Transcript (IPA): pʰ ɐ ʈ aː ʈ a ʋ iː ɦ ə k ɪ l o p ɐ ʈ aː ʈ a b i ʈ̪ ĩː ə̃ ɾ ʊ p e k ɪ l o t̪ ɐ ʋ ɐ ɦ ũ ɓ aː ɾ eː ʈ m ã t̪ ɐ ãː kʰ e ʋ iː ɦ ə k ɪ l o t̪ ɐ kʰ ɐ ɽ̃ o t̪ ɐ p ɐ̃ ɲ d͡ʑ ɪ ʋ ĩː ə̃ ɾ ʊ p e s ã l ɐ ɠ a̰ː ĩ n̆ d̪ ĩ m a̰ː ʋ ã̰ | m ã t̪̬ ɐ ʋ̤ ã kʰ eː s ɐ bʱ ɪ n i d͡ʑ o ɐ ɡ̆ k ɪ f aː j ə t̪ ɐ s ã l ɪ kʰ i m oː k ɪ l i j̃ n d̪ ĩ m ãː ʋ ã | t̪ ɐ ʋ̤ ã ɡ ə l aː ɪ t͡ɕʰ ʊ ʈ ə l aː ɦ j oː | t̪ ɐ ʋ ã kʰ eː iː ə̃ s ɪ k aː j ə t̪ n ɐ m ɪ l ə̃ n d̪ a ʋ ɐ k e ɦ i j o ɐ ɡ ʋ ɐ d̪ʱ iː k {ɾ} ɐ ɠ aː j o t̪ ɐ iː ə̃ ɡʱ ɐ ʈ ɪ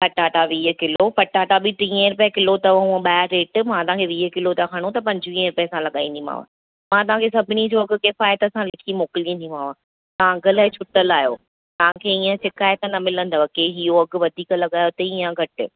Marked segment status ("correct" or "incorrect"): incorrect